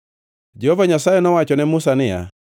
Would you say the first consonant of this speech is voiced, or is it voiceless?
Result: voiced